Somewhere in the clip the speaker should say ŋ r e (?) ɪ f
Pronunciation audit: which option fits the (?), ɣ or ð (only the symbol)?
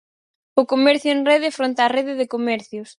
ð